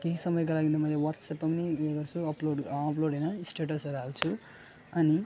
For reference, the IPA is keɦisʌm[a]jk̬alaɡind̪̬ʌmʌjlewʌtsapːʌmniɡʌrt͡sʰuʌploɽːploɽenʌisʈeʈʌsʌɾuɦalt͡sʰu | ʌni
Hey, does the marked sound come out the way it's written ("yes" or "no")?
no